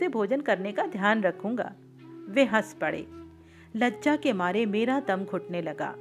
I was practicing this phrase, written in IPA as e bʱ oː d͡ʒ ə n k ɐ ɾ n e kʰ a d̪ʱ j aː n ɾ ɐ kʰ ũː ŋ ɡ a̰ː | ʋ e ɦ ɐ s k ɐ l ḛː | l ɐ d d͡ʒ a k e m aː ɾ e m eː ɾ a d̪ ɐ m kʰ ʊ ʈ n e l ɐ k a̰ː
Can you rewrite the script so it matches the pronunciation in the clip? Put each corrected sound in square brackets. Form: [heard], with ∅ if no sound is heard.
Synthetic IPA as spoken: e bʱ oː d͡ʒ ə n k ɐ ɾ n e [k] a d̪ʱ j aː n ɾ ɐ kʰ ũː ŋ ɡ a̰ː | ʋ e ɦ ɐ s [p] ɐ [ɽ] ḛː | l ɐ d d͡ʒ a k e m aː ɾ e m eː ɾ a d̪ ɐ m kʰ ʊ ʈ n e l ɐ [ɡ] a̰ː